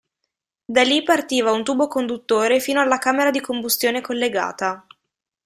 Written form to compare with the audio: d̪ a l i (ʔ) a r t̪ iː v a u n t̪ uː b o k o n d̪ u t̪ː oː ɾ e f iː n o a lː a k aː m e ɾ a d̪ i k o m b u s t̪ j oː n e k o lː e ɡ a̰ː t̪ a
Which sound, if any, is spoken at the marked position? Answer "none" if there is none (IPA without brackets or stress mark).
p